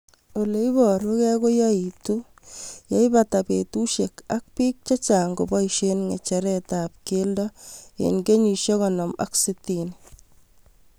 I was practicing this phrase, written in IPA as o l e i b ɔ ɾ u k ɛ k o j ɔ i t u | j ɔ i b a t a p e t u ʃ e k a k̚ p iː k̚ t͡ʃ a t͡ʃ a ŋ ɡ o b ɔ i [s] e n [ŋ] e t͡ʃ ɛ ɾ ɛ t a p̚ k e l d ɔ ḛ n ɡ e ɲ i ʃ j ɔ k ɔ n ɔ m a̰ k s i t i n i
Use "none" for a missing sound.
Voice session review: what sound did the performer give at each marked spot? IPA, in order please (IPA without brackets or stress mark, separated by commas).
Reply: ʃ, ŋ